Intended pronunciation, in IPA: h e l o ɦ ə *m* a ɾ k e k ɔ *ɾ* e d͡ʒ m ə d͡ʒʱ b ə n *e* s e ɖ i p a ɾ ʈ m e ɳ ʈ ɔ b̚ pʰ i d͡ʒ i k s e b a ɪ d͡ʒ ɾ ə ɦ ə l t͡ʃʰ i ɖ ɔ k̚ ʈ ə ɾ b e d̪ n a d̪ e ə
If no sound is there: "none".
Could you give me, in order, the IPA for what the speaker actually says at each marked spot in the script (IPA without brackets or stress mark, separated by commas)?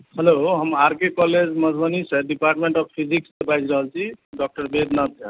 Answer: m, l, i